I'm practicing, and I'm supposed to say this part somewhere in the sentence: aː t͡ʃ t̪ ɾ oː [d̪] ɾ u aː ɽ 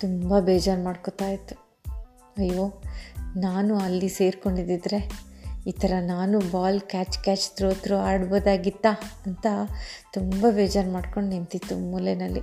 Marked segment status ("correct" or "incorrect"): incorrect